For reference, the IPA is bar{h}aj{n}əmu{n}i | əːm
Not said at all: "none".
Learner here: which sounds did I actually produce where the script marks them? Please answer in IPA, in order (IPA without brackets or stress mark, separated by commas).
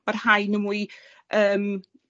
h, n, none